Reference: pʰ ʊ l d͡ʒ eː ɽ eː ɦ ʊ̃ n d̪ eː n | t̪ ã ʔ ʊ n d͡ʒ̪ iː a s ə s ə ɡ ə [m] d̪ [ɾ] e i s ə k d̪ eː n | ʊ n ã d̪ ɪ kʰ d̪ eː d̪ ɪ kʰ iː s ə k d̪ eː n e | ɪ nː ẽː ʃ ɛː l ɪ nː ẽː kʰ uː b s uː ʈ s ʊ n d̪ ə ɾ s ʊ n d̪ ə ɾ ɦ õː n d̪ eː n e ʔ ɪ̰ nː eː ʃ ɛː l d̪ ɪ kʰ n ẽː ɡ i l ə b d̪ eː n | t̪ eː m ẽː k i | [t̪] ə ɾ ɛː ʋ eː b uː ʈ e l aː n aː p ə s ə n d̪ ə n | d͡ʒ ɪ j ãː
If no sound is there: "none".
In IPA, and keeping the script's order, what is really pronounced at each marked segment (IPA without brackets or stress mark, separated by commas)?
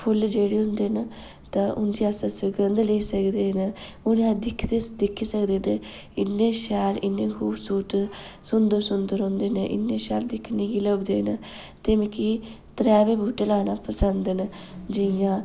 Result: n, l, t̪